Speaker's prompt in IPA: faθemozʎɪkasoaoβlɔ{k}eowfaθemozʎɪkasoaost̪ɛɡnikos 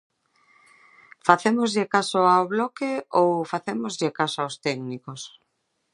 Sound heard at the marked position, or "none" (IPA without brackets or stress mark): k